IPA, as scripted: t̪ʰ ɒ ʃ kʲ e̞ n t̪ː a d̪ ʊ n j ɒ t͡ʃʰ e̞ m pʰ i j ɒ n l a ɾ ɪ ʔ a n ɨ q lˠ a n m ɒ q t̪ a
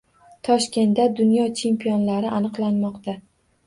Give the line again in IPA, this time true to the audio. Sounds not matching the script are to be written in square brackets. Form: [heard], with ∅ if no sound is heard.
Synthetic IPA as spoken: t̪ʰ ɒ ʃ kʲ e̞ n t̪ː a d̪ ʊ n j ɒ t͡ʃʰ e̞ m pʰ i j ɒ n l a ɾ ɪ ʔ a n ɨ q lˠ a n m ɒ q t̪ a